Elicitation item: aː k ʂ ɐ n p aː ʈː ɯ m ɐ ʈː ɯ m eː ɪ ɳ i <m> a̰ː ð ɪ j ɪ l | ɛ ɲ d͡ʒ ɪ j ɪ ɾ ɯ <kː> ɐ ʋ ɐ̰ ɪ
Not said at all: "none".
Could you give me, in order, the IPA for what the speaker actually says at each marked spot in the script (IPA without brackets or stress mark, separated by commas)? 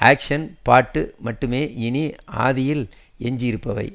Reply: none, pː